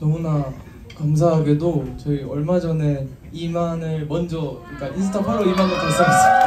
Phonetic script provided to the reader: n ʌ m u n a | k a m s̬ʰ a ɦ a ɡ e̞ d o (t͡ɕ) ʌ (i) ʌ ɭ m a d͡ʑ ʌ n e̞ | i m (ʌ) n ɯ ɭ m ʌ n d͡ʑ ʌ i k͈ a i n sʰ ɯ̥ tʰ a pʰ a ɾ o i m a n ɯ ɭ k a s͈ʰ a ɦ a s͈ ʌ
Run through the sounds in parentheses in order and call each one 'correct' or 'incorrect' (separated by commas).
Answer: correct, correct, incorrect